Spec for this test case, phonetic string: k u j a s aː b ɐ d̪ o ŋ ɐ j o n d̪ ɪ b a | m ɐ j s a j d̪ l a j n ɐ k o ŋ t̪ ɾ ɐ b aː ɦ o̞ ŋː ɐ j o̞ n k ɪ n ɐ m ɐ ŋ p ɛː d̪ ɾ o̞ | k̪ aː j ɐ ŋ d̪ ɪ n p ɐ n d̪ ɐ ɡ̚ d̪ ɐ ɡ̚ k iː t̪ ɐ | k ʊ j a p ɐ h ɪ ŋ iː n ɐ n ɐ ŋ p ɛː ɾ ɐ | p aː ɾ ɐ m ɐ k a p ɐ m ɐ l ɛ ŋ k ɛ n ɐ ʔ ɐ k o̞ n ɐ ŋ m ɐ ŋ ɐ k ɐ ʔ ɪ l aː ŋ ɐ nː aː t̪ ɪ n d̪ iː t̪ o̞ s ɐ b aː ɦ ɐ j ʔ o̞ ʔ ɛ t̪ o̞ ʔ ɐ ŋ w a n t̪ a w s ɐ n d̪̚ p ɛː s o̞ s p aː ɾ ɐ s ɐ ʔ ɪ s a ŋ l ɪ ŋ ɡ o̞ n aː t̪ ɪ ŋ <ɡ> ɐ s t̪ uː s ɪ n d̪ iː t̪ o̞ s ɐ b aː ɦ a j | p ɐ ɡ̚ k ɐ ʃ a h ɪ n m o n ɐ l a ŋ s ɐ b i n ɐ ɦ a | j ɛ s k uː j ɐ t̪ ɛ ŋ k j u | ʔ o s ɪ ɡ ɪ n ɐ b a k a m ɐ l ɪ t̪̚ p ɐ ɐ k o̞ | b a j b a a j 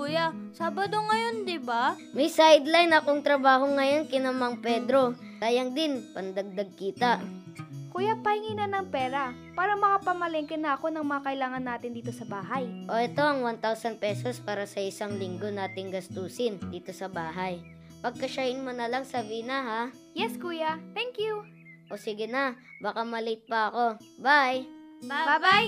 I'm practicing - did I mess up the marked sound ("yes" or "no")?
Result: no